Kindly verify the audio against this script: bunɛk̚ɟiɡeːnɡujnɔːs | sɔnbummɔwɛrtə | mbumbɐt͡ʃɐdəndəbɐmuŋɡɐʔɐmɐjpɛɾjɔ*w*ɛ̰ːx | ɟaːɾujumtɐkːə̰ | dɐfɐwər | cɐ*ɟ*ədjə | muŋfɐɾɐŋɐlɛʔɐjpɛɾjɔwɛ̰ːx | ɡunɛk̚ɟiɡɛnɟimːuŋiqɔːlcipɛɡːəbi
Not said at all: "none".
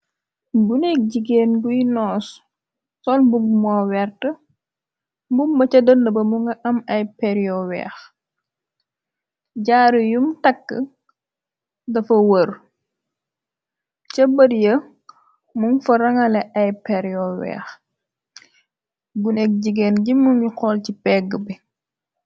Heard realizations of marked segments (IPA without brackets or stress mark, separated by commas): w, b